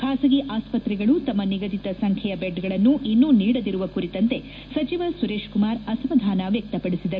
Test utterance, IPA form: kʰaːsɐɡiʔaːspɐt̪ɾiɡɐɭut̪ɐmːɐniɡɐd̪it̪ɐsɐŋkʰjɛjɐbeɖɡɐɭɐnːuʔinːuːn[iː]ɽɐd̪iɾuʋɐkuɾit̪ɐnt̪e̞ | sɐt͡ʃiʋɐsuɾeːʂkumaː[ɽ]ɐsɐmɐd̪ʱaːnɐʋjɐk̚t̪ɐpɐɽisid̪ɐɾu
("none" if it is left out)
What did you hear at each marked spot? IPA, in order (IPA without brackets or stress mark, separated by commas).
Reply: iː, ɾ